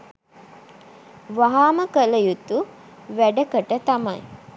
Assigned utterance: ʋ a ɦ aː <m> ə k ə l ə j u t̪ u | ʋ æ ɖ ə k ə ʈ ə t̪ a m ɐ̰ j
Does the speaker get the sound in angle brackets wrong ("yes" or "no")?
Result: no